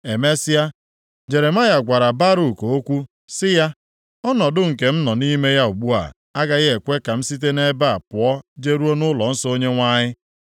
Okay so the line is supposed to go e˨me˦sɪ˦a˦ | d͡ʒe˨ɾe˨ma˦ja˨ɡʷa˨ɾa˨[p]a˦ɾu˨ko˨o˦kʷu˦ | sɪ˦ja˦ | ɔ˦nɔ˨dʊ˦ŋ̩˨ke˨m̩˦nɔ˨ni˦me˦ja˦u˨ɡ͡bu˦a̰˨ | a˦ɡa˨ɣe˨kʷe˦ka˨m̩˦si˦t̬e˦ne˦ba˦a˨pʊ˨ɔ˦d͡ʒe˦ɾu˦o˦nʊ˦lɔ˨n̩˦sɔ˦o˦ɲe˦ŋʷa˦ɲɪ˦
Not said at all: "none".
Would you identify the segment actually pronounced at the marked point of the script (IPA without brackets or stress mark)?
b